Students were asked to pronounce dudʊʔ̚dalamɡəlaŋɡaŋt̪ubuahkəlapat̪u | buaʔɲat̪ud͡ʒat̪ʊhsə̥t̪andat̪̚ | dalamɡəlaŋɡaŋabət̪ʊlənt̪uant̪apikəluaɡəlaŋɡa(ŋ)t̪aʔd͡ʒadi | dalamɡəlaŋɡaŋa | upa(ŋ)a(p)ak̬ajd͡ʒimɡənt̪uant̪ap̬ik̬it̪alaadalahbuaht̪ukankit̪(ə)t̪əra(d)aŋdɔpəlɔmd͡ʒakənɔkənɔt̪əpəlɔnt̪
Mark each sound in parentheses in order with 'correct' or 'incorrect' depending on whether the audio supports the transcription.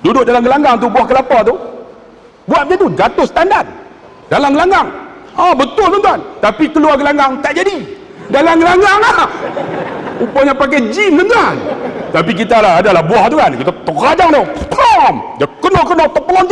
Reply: correct, incorrect, correct, incorrect, incorrect

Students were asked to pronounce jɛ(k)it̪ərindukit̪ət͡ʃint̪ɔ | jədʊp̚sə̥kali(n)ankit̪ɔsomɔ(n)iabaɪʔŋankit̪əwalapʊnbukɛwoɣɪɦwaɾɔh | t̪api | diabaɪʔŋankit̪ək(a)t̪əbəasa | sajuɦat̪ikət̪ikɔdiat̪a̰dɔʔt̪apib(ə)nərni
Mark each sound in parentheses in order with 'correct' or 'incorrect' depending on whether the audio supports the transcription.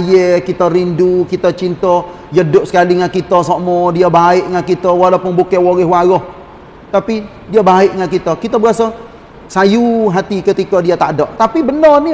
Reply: correct, incorrect, incorrect, incorrect, correct

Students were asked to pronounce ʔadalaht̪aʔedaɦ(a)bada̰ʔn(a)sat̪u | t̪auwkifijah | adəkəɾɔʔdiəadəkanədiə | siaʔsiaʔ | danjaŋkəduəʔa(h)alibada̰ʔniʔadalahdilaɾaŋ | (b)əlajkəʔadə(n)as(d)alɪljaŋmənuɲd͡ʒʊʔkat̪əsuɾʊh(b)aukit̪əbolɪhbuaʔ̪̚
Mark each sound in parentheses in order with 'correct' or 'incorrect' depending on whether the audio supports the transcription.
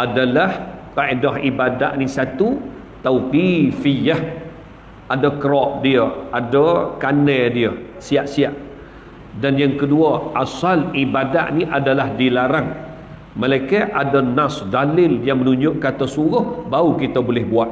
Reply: incorrect, incorrect, incorrect, incorrect, correct, correct, correct

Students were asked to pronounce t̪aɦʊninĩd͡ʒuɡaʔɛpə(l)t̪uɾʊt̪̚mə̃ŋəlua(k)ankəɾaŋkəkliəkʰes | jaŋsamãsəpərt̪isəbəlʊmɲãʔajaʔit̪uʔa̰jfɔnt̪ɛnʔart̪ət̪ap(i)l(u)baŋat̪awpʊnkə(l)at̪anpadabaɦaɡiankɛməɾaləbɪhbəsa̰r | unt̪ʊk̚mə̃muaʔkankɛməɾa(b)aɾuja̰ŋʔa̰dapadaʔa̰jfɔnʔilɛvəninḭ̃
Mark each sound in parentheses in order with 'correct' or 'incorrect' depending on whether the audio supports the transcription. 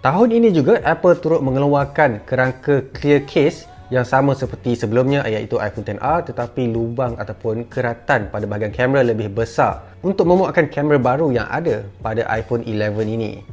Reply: correct, correct, correct, correct, incorrect, correct

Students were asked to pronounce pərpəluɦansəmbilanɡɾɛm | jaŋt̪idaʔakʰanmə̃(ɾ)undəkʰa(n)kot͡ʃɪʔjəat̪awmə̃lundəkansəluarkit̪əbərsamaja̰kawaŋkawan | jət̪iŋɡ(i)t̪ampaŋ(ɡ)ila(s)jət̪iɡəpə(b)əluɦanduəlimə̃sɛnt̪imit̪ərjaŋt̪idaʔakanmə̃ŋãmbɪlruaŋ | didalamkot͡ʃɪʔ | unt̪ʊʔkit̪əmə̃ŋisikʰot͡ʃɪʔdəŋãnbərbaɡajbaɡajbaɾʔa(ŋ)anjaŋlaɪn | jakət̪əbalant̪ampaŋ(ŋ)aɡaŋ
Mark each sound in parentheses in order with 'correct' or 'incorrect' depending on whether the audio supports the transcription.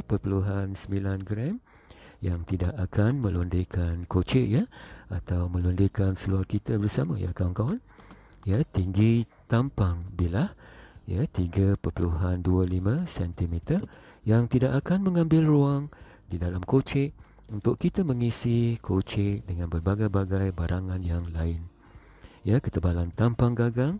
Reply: incorrect, correct, correct, incorrect, incorrect, incorrect, correct, incorrect

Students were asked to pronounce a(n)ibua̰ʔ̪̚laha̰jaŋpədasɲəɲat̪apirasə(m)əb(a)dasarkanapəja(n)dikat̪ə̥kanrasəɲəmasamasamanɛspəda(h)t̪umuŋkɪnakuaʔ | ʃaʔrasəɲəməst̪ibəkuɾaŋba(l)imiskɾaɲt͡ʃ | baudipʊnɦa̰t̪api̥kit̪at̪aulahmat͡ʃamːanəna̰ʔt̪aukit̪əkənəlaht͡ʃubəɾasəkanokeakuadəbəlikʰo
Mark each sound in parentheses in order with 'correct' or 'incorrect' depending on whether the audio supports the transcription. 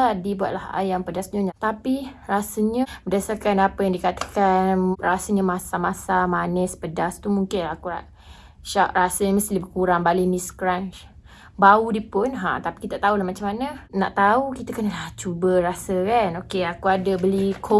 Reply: incorrect, incorrect, incorrect, incorrect, incorrect, correct

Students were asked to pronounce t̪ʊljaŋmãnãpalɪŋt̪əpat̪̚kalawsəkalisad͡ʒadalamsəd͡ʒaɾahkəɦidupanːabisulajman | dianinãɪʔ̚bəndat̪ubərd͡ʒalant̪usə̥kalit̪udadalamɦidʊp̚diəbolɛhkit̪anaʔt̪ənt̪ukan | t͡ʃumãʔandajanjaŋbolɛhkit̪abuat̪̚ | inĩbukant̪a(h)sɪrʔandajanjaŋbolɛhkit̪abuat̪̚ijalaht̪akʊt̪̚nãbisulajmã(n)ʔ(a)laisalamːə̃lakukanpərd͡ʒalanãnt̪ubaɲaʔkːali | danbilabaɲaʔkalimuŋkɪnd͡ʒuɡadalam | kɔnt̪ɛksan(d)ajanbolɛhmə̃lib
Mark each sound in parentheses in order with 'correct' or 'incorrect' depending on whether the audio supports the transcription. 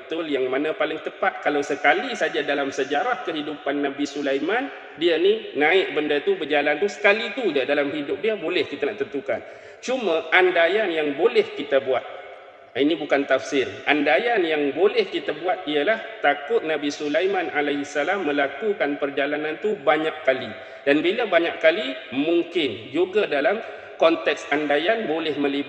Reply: incorrect, correct, correct, correct

